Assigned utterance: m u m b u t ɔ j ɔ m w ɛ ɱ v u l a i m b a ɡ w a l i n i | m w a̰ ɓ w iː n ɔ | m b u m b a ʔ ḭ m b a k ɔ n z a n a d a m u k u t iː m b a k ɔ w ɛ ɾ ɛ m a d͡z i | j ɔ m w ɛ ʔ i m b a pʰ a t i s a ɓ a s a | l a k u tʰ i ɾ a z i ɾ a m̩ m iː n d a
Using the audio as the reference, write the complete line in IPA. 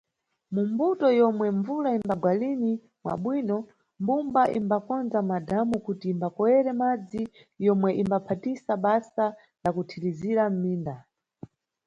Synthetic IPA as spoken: m u m b u t ɔ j ɔ m w ɛ ɱ v u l a i m b a ɡ w a l i n i | m w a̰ ɓ w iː n ɔ | m b u m b a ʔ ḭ m b a k ɔ n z a m a d a m u k u t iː m b a k ɔ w ɛ ɾ ɛ m a d͡z i | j ɔ m w ɛ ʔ i m b a pʰ a t i s a ɓ a s a | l a k u tʰ i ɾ i z i ɾ a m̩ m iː n d a